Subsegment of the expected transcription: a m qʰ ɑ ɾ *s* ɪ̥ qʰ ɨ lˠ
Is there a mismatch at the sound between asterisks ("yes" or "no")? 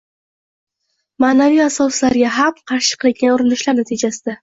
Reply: yes